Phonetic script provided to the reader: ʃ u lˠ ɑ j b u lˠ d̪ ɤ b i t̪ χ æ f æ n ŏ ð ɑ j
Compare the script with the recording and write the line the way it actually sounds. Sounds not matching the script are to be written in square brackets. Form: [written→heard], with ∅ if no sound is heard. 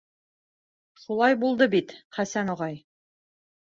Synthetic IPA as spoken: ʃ u lˠ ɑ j b u lˠ d̪ ɤ b i t̪ χ æ [f→s] æ n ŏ [ð→ʁ] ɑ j